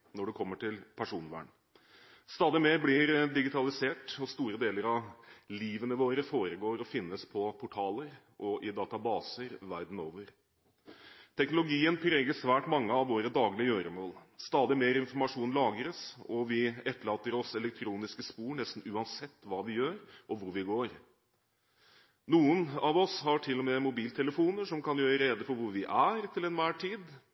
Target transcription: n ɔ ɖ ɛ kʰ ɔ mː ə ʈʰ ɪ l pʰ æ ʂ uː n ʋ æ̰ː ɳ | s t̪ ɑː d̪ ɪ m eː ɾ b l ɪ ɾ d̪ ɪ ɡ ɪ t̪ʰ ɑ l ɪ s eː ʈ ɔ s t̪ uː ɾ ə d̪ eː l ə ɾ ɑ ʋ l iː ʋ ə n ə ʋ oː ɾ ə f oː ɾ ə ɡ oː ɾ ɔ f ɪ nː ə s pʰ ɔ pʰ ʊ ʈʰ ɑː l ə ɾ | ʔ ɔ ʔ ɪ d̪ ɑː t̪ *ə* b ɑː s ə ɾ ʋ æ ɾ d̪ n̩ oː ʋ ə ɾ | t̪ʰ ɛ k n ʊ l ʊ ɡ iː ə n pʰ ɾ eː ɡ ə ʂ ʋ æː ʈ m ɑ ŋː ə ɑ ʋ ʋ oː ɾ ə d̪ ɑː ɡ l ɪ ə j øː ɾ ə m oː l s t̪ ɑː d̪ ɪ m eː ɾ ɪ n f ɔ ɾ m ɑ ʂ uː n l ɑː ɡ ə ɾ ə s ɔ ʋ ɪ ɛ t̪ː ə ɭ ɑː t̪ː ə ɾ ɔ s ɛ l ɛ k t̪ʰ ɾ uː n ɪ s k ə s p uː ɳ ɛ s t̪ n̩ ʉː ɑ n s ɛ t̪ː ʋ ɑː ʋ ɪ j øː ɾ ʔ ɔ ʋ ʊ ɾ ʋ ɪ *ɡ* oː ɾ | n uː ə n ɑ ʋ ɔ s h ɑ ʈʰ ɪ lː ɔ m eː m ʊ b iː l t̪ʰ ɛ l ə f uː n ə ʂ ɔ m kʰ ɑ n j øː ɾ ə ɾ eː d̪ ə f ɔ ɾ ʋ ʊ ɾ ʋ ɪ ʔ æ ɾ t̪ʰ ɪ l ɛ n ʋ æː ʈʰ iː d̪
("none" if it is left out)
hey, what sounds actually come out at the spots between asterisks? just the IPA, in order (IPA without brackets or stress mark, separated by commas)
ɑ, ɡ